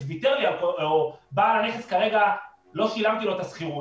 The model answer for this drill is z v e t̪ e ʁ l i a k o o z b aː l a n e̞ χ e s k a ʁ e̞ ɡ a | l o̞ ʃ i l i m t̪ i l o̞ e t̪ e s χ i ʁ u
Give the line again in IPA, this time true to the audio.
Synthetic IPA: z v i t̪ e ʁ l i a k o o b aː l a n e̞ χ e s k a ʁ e̞ ɡ a | l o̞ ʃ i l a m t̪ i l o̞ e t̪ a s χ i ʁ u

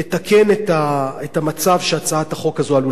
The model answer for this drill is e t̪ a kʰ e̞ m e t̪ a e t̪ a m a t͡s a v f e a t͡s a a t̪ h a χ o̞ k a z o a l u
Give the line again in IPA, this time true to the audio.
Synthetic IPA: e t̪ a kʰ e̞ n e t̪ a e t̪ a m a t͡s a v ʃ e a t͡s a a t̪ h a χ o̞ k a z o a l u

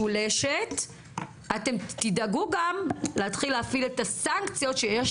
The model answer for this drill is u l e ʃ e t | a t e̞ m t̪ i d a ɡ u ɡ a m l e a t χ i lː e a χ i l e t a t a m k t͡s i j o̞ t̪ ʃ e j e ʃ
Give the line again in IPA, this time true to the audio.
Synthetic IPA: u l e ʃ e t | a t e̞ m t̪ i d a ɡ u ɡ a m l e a t χ i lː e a f i l e t a s a ŋ k t͡s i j o̞ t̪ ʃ e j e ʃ

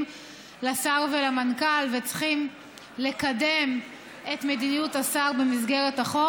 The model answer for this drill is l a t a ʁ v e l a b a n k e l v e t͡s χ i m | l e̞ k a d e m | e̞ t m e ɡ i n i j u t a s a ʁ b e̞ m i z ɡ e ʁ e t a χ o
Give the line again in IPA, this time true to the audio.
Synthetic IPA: l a s a ʁ v e l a m a n k a l v e t͡s χ i m | l e̞ k a d e m | e̞ t m e d i n i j u t a s a ʁ b e̞ m i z ɡ e ʁ e t a χ o

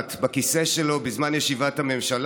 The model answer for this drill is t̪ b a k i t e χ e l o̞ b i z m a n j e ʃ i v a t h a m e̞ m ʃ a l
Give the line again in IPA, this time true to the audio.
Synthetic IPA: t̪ b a k i s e ʃ e l o̞ b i z m a n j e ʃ i v a t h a m e̞ m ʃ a l

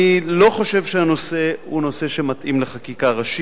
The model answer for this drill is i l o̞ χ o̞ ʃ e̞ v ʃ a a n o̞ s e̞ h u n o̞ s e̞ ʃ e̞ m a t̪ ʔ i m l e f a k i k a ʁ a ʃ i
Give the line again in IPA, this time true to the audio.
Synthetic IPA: i l o̞ χ o̞ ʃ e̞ v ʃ e a n o̞ s e̞ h u n o̞ s e̞ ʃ e̞ m a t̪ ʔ i m l e χ a k i k a ʁ a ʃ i

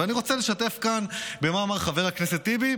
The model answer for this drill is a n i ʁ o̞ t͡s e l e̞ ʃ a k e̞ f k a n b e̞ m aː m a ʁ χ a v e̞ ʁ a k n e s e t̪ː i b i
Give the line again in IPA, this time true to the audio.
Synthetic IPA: a n i ʁ o̞ t͡s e l e̞ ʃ a t e̞ f k a n b e̞ m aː m a ʁ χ a v e̞ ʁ a k n e s e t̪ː i b i

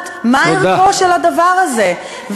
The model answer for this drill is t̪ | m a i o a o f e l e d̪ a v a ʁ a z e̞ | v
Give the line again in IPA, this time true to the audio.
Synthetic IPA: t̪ | m a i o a o ʃ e l a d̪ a v a ʁ a z e̞ | v

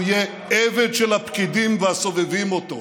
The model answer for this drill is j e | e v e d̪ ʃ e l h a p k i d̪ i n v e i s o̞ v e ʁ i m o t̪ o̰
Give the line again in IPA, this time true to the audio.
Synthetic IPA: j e | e v e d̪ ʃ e l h a p k i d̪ i m v e a s o̞ v e v i m o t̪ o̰

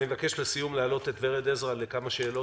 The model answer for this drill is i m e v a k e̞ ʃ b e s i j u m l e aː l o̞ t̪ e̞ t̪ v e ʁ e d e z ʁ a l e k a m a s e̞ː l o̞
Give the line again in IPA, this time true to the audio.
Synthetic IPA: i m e v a k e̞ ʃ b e s i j u m l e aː l o̞ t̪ e̞ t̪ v e ʁ e d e z ʁ a l e k a m a ʃ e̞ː l o̞

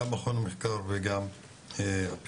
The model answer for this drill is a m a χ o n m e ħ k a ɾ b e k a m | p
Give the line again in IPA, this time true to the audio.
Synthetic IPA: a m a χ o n m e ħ k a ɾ v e ɡ a m | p

